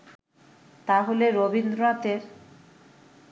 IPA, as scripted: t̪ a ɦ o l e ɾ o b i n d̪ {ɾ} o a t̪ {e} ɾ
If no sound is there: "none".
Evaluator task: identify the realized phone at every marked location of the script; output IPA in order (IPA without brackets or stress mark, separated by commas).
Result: ɾ, e